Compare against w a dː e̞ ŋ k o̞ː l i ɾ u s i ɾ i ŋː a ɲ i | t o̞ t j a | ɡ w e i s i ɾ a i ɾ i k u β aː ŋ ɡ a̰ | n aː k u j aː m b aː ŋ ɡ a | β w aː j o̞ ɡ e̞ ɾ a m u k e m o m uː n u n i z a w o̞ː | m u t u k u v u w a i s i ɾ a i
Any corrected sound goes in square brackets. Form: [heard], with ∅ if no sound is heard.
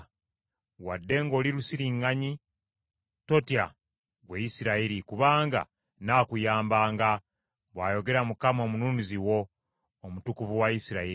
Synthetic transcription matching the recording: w a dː e̞ ŋ [ɡ] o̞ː l i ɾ u s i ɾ i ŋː a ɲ i | t o̞ t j a | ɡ w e i s i ɾ a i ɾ i k u β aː ŋ ɡ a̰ | n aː k u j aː m b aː ŋ ɡ a | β w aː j o̞ ɡ e̞ ɾ a m u k [a] m o m [u] n u n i z [i] w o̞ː | m u t u k u v u w a i s i ɾ a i